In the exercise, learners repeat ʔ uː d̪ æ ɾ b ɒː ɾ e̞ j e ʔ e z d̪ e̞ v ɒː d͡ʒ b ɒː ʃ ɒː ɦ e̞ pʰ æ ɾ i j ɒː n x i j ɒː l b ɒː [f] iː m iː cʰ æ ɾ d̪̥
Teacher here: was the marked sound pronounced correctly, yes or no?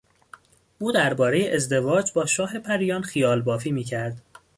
yes